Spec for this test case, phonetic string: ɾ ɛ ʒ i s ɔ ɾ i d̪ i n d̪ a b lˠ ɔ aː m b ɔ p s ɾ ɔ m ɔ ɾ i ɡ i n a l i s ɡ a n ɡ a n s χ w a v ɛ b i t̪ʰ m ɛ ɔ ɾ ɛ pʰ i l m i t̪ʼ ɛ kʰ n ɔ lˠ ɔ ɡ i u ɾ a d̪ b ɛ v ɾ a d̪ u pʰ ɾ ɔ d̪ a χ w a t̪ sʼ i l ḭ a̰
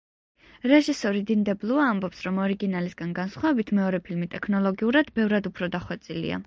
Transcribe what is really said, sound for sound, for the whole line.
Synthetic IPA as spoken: ɾ ɛ ʒ i s ɔ ɾ i d̪ i n d̪ ɛ b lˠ u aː m b ɔ p s ɾ ɔ m ɔ ɾ i ɡ i n a l i s ɡ a n ɡ a n s χ w a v ɛ b i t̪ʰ m ɛ ɔ ɾ ɛ pʰ i l m i t̪ʼ ɛ kʰ n ɔ lˠ ɔ ɡ i u ɾ a d̪ b ɛ v ɾ a d̪ u pʰ ɾ ɔ d̪ a χ w ɛ t̪ sʼ i l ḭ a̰

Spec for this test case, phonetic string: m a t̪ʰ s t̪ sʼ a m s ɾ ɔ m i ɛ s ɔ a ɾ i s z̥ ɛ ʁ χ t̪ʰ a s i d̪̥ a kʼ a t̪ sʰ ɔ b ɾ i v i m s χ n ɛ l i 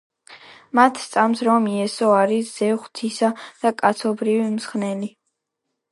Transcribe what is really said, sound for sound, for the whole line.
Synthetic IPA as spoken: m a t̪ʰ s t̪ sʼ a m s ɾ ɔ m i ɛ s ɔ a ɾ i s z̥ ɛ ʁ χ t̪ʰ i s a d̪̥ a kʼ a t̪ sʰ ɔ b ɾ i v i m s χ n ɛ l i

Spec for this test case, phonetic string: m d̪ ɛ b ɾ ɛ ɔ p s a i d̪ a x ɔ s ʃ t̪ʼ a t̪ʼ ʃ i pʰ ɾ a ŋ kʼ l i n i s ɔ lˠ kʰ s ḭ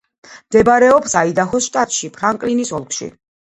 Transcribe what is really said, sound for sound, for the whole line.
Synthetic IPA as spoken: m d̪ ɛ b ɾ ɛ ɔ p s a i d̪ a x ɔ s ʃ t̪ʼ a t̪ʼ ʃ i pʰ ɾ a ŋ kʼ l i n i s ɔ lˠ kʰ ʃ ḭ

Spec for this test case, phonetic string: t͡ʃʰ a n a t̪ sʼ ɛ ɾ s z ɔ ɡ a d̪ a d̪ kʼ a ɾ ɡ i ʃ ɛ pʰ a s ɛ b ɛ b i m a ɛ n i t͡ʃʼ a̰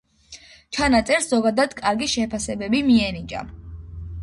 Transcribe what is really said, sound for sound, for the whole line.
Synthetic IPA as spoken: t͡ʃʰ a n a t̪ sʼ ɛ ɾ s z ɔ ɡ a d̪ a d̪ kʼ a ɾ ɡ i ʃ ɛ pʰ a s ɛ b ɛ b i m i ɛ n i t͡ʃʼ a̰

